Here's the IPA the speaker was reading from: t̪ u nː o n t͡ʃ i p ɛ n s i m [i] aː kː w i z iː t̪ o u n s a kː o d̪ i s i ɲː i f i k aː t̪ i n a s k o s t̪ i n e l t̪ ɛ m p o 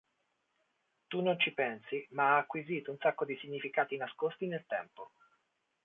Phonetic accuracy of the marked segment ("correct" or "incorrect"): incorrect